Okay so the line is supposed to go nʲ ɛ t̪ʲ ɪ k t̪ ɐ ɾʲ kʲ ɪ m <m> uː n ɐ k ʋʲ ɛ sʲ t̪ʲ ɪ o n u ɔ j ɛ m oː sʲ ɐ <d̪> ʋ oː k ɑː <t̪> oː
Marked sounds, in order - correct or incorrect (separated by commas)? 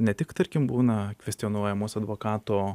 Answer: incorrect, correct, correct